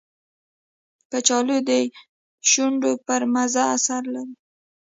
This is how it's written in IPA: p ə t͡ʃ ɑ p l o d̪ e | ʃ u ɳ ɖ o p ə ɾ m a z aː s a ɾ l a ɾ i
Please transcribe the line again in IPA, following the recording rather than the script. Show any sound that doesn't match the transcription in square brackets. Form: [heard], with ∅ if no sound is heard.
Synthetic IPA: p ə t͡ʃ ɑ [∅] l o d̪ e | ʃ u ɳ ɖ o p ə ɾ m a z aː s a ɾ l a ɾ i